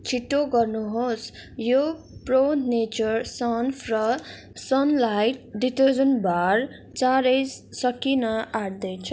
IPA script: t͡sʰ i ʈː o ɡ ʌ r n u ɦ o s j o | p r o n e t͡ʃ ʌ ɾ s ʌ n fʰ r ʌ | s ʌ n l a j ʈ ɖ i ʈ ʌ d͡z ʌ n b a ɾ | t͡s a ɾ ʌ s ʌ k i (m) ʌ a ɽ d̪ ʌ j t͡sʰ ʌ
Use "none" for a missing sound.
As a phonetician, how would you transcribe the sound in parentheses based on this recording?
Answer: n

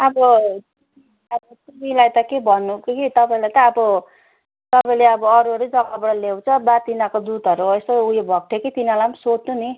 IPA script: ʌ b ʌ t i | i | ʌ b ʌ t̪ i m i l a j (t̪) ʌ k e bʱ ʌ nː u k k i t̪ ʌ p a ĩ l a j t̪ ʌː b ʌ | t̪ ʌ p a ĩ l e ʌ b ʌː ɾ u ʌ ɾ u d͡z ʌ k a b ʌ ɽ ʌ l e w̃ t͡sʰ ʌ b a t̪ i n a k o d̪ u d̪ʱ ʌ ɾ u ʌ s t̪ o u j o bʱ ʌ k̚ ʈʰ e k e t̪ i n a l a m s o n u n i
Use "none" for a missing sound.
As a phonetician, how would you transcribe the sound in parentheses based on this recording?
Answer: t̪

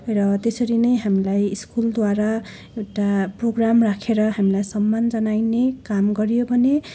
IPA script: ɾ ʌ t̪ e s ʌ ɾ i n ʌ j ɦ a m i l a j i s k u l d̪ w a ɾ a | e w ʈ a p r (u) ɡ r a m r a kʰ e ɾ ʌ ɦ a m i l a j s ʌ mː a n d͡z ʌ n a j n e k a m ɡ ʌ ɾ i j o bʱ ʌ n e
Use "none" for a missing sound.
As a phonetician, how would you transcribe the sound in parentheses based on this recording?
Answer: o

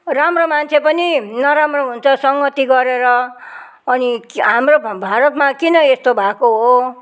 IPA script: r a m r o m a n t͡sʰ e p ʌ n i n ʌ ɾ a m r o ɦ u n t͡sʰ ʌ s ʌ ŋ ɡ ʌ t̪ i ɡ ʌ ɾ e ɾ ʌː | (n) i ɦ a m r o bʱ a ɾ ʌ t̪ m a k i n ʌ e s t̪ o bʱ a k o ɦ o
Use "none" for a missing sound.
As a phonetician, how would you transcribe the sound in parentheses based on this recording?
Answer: n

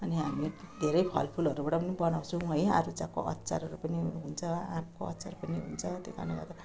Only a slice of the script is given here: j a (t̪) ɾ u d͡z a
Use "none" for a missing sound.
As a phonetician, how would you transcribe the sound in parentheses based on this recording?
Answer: none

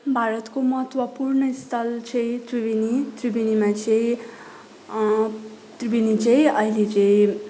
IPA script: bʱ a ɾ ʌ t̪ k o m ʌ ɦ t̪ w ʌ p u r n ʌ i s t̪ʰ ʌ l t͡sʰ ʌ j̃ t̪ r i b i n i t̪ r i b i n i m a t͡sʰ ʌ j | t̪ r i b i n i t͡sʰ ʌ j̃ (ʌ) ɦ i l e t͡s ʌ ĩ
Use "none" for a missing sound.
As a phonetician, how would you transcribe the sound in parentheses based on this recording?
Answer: ʌ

